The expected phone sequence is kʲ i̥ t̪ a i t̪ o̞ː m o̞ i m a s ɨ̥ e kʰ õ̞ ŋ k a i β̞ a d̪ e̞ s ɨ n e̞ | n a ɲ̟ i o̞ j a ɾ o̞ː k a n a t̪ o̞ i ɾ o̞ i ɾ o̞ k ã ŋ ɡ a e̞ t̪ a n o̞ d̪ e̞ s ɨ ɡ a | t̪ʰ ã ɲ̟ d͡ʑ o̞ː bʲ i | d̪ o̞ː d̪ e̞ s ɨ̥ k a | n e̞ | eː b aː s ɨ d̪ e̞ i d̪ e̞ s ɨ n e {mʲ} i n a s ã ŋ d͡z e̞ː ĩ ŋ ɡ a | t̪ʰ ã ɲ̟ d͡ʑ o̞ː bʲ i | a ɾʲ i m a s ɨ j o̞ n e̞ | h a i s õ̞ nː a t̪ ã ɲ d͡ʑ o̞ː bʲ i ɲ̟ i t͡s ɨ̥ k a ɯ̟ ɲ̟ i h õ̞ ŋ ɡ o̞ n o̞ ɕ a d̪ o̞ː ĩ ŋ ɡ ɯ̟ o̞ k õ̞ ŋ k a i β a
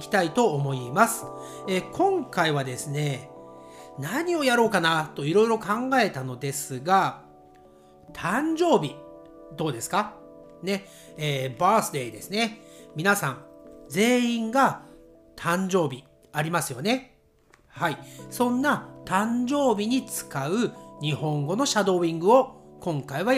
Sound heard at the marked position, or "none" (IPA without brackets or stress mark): mʲ